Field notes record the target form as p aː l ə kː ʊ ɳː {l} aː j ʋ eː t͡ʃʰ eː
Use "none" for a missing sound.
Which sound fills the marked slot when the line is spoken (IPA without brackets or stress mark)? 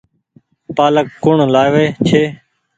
l